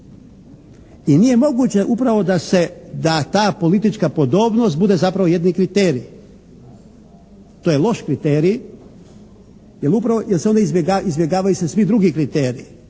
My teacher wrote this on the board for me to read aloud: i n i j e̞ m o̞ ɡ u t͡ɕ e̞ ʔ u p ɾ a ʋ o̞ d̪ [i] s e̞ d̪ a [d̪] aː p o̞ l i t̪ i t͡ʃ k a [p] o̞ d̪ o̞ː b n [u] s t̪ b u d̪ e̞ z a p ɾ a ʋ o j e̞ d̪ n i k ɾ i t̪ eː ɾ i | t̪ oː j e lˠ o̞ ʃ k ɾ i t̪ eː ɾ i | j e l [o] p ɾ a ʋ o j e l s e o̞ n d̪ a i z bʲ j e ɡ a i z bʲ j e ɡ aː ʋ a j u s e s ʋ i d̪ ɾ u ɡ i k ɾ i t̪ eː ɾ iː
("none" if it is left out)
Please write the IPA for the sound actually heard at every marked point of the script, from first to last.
a, t̪, p, o, u

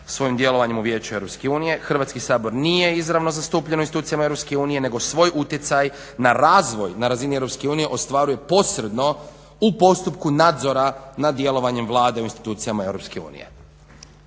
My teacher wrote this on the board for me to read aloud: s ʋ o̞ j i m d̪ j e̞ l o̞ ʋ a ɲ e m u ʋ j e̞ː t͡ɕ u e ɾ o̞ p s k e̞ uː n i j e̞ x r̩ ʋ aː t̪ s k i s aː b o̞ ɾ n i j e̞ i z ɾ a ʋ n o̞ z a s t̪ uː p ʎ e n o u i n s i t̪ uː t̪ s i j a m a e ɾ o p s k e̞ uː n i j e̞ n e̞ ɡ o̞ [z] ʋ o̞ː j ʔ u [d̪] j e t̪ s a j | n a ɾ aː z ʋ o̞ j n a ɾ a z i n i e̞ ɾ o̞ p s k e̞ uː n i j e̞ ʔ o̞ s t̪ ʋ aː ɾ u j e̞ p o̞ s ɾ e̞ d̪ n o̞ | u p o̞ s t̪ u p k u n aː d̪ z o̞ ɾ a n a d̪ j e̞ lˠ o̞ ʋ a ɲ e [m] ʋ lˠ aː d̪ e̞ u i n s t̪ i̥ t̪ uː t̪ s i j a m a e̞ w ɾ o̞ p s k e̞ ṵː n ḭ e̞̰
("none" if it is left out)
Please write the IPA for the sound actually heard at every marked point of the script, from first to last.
s, t̪, m

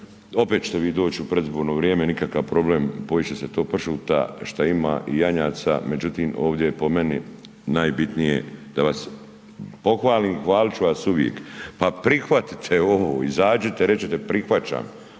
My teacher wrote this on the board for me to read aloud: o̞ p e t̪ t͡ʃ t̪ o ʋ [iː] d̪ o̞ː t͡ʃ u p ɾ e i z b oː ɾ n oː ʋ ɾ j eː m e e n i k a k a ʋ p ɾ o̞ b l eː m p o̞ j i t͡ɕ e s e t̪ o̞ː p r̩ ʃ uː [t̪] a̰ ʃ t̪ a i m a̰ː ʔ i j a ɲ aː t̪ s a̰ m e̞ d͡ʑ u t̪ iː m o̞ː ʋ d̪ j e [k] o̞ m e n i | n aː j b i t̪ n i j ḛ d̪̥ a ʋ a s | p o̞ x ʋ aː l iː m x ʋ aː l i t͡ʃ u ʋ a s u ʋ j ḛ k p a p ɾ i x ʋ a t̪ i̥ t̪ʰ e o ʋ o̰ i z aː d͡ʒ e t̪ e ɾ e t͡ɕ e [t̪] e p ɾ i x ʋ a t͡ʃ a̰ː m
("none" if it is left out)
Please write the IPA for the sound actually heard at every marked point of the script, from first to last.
iː, t̪, p, t̪

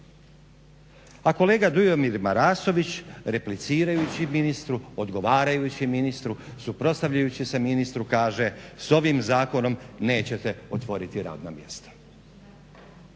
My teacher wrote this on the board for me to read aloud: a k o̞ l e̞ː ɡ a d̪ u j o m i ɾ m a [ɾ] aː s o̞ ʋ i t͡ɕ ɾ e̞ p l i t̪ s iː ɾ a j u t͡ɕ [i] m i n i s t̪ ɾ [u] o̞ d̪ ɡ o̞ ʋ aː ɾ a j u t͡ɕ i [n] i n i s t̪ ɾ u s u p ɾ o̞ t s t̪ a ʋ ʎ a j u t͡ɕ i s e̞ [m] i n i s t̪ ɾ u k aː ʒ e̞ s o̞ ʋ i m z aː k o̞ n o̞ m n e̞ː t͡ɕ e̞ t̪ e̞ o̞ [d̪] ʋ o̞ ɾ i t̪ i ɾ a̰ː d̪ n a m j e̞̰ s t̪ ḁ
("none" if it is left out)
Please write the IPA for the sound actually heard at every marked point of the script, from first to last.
ɾ, i, u, m, m, t̪

